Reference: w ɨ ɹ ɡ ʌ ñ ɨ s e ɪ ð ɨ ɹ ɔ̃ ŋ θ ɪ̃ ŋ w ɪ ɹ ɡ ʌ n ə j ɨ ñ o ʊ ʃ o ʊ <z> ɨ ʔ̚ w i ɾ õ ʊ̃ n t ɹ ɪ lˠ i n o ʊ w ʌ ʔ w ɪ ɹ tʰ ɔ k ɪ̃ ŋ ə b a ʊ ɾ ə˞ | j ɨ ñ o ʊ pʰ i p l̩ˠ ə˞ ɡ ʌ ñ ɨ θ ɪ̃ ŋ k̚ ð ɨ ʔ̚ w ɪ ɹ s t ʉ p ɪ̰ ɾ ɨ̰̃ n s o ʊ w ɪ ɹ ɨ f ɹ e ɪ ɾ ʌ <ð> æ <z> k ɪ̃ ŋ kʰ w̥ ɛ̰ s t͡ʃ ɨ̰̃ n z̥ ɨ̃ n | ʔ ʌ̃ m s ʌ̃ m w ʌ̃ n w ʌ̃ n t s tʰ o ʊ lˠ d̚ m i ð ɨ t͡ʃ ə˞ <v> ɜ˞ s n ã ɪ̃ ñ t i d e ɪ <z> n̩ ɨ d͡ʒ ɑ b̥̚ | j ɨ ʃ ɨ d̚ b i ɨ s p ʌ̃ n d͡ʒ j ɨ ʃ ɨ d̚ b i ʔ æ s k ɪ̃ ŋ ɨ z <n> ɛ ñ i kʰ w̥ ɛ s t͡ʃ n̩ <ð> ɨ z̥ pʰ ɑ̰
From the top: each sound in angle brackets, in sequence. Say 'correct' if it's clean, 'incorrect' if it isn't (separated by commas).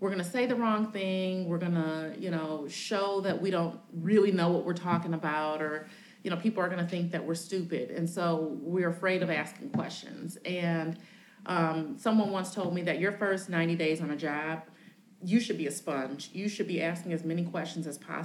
incorrect, incorrect, incorrect, incorrect, correct, incorrect, incorrect